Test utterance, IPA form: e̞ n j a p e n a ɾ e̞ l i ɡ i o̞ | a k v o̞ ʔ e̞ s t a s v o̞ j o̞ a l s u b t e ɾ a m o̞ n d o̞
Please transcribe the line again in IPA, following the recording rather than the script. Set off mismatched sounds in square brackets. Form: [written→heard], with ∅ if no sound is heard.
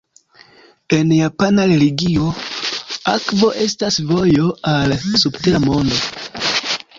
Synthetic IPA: e̞ n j a p [e→a] n a ɾ e̞ l i ɡ i o̞ | a k v o̞ ʔ e̞ s t a s v o̞ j o̞ a l s u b t e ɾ a m o̞ n d o̞